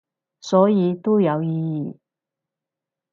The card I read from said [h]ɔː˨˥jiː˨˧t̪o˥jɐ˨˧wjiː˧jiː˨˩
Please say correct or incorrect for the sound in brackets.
incorrect: s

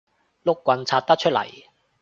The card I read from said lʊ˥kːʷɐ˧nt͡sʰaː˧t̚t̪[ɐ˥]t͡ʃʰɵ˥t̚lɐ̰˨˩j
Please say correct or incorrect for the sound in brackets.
correct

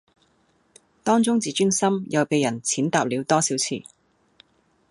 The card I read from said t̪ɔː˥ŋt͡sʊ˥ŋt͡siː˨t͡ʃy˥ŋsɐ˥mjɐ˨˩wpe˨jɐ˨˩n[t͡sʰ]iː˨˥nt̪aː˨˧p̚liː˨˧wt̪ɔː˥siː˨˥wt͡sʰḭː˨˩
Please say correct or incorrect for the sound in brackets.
correct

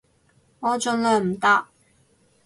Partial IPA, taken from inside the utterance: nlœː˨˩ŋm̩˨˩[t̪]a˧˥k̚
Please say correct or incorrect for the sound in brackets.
correct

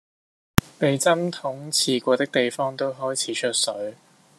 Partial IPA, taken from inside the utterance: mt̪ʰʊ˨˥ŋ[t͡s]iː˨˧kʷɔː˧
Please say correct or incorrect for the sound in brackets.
incorrect: t͡sʰ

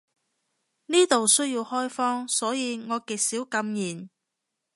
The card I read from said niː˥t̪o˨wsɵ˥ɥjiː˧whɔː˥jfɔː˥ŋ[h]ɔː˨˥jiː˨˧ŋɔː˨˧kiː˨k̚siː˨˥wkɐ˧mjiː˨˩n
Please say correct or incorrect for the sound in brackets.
incorrect: s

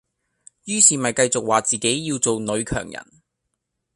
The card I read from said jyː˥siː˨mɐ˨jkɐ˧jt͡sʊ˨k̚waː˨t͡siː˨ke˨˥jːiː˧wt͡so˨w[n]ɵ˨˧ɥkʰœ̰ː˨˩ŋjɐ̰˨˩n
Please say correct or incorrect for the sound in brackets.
correct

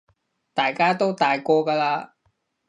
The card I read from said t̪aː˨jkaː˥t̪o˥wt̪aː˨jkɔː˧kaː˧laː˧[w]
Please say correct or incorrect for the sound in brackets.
incorrect: none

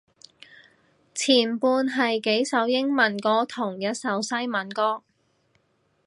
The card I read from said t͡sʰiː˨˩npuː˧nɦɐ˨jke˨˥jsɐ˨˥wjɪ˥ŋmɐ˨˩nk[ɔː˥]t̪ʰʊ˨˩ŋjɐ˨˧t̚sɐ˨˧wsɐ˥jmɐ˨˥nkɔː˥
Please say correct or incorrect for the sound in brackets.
incorrect: ɔː˧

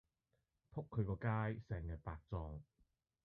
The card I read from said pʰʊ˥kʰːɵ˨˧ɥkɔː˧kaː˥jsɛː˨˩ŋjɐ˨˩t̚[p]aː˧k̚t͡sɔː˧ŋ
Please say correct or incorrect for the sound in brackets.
correct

